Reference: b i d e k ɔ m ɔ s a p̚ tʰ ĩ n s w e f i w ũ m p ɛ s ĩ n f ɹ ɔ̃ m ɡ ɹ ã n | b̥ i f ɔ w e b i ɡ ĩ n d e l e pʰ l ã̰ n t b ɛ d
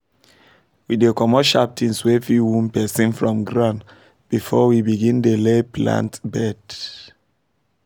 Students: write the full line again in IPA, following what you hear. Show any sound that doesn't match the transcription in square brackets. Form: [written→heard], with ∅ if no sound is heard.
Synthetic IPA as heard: [b→w] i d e k ɔ m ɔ [s→ʃ] a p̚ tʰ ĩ n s w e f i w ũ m p ɛ s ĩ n f ɹ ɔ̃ m ɡ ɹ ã n | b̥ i f ɔ w [e→i] b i ɡ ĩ n d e l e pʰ l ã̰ n t b ɛ d